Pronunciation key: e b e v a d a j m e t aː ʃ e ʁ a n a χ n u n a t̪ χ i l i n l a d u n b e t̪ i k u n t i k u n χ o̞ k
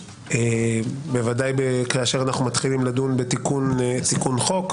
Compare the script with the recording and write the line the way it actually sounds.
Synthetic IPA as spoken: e b e v a d a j b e k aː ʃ e ʁ a n a χ n u m a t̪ χ i l i m l a d u n b e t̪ i k u n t i k u n χ o̞ k